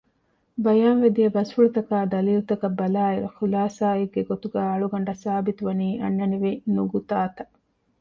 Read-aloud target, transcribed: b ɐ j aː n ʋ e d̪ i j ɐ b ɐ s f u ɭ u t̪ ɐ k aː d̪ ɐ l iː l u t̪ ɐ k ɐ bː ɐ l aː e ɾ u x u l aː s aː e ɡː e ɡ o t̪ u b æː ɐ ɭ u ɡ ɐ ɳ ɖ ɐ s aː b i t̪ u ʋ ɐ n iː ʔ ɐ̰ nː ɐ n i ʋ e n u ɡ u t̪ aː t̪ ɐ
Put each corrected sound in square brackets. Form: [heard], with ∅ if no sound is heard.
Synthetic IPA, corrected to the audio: b ɐ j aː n ʋ e d̪ i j ɐ b ɐ s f u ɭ u t̪ ɐ k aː d̪ ɐ l iː l u t̪ ɐ k ɐ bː ɐ l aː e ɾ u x u l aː s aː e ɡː e ɡ o t̪ u [ɡ] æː ɐ ɭ u ɡ ɐ ɳ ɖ ɐ s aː b i t̪ u ʋ ɐ n iː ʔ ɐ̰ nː ɐ n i ʋ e n u ɡ u t̪ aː t̪ ɐ